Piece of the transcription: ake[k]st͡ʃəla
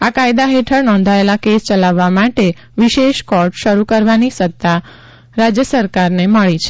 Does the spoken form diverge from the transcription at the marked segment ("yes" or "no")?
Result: yes